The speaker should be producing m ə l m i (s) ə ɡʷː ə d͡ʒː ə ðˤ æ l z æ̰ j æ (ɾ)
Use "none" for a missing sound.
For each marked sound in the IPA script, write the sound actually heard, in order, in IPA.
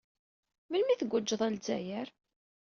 θ, ɾ

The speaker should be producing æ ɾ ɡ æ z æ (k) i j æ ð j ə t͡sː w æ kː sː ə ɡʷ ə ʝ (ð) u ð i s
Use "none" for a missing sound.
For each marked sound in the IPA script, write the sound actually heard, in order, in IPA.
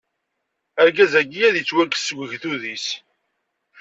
ɡ, θ

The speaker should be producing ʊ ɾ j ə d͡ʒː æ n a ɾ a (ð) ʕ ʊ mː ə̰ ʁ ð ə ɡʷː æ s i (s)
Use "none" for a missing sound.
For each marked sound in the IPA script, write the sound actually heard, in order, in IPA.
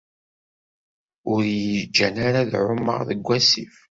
ð, f

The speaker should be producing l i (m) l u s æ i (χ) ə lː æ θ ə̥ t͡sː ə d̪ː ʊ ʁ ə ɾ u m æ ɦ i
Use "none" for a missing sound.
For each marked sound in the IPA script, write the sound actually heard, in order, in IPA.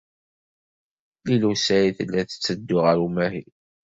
none, θ

